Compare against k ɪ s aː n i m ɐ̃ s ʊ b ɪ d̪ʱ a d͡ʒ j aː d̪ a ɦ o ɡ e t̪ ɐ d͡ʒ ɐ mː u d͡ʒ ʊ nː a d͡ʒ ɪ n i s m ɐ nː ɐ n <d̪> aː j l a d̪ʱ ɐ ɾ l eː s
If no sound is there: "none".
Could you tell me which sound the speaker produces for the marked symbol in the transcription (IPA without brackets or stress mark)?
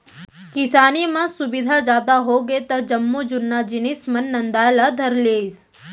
d̪